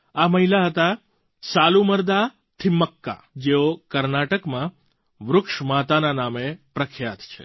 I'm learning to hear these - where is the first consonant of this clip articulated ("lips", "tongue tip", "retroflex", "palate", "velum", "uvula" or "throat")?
lips